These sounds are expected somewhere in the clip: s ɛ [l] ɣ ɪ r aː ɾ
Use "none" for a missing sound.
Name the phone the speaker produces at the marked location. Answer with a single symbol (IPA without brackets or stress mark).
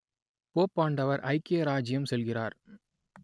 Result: l